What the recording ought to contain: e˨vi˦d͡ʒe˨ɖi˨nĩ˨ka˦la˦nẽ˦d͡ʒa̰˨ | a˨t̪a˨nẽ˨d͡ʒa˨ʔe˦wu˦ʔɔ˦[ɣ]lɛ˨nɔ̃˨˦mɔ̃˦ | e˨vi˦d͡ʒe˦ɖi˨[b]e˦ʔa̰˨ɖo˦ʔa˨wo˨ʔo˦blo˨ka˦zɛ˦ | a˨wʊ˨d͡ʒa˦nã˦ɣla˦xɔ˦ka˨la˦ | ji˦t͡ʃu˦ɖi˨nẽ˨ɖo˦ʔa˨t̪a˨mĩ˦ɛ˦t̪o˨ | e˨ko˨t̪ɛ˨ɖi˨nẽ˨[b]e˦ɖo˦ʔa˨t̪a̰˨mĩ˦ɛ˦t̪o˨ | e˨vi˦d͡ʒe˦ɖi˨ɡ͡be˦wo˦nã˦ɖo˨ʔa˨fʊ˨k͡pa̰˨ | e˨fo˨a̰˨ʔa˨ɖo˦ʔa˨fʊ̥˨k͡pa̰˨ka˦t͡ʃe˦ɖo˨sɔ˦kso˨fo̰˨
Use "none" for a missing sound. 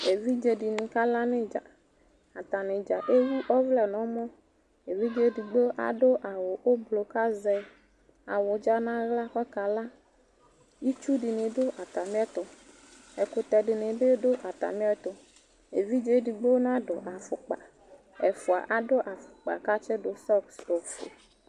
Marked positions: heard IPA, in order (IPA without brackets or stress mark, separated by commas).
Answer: v, ɡ͡b, b